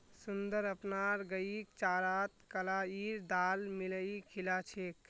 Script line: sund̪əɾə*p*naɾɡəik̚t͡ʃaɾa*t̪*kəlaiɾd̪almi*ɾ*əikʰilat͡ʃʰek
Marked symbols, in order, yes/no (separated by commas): yes, yes, no